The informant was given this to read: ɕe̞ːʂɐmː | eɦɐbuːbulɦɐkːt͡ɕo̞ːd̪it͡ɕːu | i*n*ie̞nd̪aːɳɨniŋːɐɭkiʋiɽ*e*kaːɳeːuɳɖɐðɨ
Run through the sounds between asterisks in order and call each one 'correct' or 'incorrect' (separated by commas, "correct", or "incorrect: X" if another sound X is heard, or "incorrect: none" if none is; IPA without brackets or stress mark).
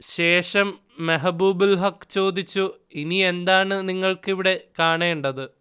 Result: correct, correct